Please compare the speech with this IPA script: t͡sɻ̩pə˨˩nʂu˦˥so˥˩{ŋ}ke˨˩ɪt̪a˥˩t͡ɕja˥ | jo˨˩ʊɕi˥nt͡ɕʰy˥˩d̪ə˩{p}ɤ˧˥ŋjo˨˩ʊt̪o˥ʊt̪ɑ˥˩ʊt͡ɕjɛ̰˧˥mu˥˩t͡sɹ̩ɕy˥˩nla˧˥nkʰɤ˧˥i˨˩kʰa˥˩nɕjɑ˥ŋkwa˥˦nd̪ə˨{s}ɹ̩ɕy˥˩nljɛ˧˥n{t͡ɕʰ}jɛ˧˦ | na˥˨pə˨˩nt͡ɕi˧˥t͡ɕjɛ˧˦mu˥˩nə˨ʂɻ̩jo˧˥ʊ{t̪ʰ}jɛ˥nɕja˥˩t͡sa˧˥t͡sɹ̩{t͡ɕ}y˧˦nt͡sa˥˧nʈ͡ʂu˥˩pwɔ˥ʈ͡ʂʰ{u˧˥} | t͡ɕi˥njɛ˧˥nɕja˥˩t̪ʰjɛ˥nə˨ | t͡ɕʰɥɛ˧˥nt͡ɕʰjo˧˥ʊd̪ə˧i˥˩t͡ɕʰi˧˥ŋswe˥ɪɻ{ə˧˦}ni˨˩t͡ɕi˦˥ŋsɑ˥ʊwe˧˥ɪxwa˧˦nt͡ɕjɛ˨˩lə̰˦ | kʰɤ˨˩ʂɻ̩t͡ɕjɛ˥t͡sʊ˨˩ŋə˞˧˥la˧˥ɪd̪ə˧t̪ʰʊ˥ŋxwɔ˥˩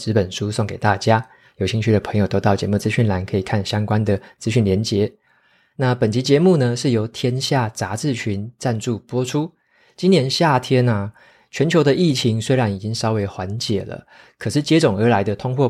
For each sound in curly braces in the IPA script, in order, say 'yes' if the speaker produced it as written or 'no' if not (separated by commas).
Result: yes, no, no, no, yes, no, no, no